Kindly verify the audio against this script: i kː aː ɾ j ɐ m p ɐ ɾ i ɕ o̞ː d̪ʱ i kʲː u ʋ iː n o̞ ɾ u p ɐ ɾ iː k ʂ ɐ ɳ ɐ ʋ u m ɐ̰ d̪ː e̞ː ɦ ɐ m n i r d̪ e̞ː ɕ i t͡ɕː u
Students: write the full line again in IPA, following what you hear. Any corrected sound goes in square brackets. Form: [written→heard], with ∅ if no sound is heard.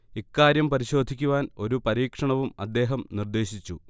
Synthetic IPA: i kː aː ɾ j ɐ m p ɐ ɾ i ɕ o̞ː d̪ʱ i kʲː u ʋ [iː→aː] n o̞ ɾ u p ɐ ɾ iː k ʂ ɐ ɳ ɐ ʋ u m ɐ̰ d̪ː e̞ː ɦ ɐ m n i r d̪ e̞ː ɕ i t͡ɕː u